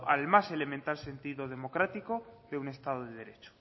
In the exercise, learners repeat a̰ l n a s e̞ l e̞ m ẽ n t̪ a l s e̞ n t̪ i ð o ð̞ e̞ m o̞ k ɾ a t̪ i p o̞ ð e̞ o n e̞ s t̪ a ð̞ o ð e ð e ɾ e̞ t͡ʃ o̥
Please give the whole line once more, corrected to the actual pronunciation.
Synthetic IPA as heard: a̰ l m a s e̞ l e̞ m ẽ n t̪ a l s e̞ n t̪ i ð o ð̞ e̞ m o̞ k ɾ a t̪ i k o̞ ð e̞ u n e̞ s t̪ a ð̞ o ð e ð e ɾ e̞ t͡ʃ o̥